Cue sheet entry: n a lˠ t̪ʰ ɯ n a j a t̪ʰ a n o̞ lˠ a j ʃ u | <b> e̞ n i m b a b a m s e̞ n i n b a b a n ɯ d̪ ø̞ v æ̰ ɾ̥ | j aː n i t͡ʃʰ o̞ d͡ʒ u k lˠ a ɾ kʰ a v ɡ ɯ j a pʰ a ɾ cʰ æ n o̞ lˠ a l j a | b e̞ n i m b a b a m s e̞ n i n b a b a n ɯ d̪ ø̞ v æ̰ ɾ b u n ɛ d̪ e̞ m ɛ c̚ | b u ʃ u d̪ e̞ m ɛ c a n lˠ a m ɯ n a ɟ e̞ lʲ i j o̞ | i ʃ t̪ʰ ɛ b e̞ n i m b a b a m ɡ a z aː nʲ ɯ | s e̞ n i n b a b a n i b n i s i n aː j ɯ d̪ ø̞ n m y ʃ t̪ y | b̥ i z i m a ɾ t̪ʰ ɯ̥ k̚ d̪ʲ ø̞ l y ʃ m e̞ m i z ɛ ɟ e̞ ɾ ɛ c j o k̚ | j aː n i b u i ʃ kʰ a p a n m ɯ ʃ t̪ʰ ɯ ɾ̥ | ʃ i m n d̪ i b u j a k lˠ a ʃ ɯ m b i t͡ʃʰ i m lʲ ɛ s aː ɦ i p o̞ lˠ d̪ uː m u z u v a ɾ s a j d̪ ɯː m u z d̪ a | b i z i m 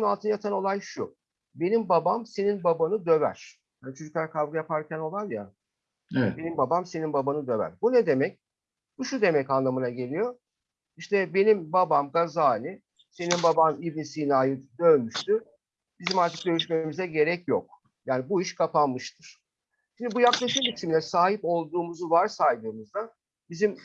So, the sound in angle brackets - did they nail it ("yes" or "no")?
yes